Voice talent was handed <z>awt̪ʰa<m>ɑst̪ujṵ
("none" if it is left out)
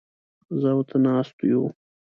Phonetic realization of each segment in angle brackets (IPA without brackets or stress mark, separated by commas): z, n